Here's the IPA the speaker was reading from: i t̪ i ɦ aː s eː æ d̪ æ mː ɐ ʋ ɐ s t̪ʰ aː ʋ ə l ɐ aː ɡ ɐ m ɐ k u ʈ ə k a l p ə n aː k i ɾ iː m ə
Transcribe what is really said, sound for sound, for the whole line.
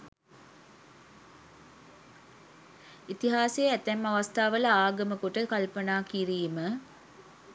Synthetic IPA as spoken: i t̪ i ɦ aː s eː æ t̪ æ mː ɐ ʋ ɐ s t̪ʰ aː ʋ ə l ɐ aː ɡ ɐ m ə k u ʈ ə k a l p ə n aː k i ɾ iː m ə